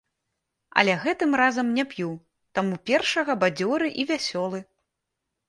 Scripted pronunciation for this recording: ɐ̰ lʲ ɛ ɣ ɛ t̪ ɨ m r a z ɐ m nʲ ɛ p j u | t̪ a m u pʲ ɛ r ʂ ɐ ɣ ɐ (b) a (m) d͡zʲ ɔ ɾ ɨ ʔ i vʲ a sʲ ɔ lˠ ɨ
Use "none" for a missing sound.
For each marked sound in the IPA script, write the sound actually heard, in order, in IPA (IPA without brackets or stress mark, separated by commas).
b, none